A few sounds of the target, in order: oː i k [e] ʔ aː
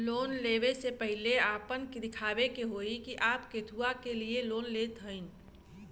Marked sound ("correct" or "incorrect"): incorrect